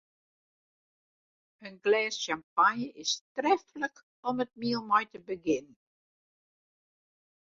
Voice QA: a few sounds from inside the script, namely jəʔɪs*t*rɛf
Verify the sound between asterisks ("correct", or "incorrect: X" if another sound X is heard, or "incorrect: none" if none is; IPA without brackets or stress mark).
correct